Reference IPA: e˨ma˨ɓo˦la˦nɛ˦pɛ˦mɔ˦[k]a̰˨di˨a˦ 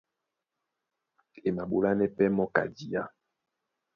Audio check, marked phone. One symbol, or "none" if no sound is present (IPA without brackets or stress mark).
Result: k